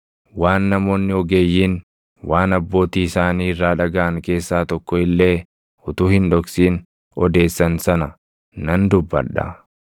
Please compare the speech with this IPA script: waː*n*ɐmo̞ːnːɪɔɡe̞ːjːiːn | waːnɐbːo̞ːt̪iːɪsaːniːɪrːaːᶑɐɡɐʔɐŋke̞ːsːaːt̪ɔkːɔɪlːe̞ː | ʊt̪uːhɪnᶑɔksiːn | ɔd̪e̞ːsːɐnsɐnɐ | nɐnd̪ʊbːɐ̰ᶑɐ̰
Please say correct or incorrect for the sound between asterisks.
incorrect